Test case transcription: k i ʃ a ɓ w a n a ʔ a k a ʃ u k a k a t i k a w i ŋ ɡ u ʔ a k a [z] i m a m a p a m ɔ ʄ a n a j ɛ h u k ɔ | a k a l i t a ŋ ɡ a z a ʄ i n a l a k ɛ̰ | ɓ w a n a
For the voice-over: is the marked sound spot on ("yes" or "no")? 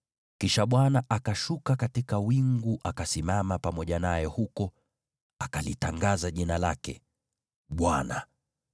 no